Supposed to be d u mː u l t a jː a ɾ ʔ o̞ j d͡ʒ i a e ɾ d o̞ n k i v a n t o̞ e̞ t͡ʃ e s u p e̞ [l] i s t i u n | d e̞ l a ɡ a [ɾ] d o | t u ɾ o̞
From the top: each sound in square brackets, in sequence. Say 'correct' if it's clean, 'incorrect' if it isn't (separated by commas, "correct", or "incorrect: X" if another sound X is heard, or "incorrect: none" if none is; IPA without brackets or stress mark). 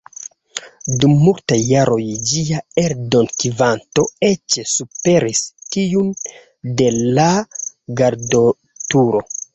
incorrect: ɾ, correct